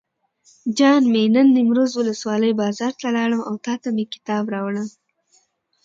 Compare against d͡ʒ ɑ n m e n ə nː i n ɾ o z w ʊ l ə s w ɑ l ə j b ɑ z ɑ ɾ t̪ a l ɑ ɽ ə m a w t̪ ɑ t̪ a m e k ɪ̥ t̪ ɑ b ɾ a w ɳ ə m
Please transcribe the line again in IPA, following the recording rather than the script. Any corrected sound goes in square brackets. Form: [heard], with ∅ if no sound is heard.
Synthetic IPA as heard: d͡ʒ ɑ n m e n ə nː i [m] ɾ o z w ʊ l ə s w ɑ l ə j b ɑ z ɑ ɾ t̪ a l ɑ ɽ ə m a w t̪ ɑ t̪ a m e k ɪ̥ t̪ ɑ b ɾ [ɑ] w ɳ ə m